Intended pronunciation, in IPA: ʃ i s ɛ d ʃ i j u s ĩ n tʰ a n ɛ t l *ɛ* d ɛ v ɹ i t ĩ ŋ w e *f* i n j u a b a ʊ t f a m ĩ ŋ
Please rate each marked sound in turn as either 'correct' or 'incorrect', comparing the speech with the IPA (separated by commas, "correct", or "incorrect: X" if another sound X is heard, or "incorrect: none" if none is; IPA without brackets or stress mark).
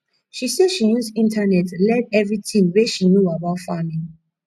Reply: correct, incorrect: ʃ